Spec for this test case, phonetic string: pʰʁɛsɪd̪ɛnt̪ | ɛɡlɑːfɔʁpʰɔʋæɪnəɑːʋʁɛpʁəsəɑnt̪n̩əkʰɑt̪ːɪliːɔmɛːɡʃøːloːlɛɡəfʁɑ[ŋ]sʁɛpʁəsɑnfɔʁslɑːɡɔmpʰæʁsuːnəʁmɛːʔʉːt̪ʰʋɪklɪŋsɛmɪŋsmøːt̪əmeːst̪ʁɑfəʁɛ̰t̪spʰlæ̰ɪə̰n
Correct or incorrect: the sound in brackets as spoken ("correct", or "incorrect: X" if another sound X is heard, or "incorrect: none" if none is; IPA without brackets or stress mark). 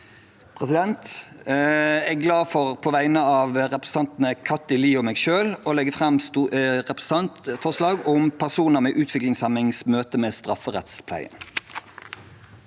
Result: incorrect: m